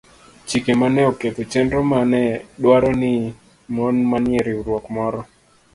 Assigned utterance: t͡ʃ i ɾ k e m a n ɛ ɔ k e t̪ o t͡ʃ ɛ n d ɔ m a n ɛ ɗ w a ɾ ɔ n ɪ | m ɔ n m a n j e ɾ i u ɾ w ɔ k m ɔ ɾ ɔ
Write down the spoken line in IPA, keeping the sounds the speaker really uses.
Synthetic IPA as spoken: t͡ʃ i k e m a n ɛ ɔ k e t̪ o t͡ʃ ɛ n d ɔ m a n ɛ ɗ w a ɾ ɔ n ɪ | m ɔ n m a n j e ɾ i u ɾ w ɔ k m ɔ ɾ ɔ